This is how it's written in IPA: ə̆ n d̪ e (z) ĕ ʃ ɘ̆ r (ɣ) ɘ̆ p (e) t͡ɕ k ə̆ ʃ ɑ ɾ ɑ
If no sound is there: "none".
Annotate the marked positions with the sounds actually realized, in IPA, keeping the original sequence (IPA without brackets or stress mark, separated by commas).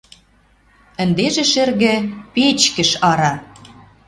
ʒ, ɣ, e